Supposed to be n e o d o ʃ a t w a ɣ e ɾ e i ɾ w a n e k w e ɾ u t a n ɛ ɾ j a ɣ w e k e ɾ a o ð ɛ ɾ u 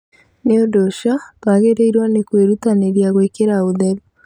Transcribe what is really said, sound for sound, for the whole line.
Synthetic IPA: n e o d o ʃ a t w a ɣ e ɾ e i ɾ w a n e k w e ɾ u t a n e ɾ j a ɣ w e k e ɾ a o ð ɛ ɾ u